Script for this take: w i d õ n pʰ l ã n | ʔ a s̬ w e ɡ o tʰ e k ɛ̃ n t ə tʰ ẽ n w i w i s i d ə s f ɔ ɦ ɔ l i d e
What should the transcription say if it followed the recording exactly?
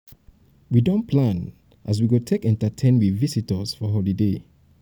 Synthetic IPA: w i d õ n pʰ l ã n | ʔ a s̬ w i ɡ o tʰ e k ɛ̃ n t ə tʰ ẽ n w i v i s i t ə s f ɔ ɦ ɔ l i d e